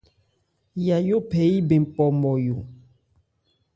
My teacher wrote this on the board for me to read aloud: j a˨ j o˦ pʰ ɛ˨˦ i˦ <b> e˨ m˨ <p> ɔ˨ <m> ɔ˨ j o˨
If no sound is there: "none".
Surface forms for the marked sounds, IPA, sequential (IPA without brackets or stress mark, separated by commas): b, p, m